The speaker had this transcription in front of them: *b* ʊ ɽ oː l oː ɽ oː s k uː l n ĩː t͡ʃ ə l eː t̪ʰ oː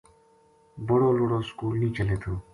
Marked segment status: correct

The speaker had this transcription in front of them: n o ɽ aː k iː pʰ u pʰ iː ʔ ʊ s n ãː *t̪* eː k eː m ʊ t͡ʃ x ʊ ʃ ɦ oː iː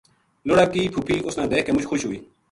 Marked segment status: incorrect: d̪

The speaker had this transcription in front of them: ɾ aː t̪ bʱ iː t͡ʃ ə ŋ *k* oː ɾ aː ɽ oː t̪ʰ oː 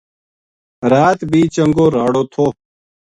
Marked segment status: incorrect: ɡ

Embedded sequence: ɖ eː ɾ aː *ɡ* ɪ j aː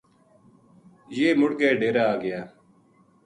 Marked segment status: correct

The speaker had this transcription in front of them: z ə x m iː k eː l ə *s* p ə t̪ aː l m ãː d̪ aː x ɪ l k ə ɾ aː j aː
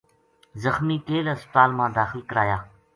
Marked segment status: correct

